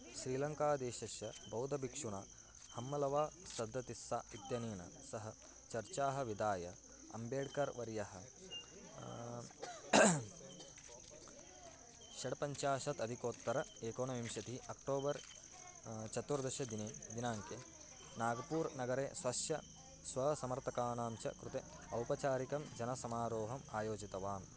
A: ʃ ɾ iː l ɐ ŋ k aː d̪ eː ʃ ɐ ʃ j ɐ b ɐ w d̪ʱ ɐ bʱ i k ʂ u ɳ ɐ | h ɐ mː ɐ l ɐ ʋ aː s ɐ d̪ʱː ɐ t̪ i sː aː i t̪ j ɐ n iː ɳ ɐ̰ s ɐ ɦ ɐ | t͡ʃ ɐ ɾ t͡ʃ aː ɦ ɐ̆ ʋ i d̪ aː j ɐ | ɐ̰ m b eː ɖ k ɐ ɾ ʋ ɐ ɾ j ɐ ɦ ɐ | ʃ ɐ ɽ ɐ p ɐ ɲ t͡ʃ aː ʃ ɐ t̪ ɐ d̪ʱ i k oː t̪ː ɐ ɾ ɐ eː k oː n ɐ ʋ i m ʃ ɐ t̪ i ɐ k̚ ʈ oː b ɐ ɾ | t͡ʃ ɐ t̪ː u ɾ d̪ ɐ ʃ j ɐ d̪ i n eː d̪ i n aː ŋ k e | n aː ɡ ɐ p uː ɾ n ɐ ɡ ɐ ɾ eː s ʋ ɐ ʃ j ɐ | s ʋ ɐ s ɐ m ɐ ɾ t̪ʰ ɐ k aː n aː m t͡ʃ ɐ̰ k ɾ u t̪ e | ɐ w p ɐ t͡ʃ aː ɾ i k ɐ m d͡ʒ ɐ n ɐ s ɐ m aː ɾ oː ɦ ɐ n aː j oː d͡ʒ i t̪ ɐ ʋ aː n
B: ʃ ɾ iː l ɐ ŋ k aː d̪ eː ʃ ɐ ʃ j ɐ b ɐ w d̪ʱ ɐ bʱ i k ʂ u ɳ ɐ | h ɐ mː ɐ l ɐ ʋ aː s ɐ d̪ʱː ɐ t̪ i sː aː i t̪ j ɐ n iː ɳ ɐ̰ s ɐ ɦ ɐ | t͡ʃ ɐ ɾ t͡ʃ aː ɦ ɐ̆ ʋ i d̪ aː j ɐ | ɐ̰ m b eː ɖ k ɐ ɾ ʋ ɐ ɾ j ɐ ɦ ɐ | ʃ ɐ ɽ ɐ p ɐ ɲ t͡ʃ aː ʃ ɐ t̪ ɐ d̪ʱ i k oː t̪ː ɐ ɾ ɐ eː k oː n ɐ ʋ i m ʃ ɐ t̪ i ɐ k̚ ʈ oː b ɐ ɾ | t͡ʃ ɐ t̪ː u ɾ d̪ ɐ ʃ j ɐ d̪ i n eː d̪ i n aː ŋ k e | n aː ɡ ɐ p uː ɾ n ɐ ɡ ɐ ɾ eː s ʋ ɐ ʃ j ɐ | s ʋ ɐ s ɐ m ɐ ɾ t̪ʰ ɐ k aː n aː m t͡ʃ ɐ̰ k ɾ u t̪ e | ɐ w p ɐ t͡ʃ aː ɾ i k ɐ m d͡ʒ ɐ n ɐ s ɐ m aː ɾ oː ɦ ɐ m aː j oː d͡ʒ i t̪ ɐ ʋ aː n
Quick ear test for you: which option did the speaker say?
B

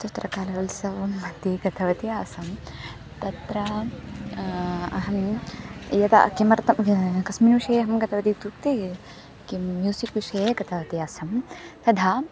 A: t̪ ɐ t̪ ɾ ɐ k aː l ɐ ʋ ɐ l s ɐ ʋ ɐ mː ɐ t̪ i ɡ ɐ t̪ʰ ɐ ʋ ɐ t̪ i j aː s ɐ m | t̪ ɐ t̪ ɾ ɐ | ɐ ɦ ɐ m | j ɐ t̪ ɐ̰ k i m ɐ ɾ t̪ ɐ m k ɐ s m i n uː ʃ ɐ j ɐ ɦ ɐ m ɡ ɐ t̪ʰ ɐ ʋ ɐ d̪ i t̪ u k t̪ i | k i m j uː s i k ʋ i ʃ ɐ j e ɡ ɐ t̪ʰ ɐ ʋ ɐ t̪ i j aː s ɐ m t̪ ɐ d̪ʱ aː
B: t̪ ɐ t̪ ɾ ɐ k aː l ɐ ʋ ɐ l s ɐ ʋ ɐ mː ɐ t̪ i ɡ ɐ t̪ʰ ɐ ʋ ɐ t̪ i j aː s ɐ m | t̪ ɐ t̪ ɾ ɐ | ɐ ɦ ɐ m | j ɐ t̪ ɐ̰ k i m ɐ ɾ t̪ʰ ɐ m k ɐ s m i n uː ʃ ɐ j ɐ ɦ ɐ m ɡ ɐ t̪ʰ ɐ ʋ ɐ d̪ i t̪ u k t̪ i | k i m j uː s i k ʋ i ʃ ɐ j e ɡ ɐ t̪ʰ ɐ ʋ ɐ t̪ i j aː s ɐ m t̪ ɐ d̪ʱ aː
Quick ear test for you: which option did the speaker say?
A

